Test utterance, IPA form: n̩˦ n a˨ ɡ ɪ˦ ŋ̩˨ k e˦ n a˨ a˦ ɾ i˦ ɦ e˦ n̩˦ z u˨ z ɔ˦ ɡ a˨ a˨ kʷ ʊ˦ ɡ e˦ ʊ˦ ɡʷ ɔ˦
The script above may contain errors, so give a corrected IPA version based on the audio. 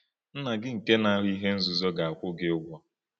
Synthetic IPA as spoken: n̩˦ n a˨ ɡ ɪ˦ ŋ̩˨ k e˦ n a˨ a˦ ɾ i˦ ɦ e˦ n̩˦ z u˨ z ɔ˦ ɡ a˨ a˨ kʷ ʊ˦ ɡ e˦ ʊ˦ ɡʷ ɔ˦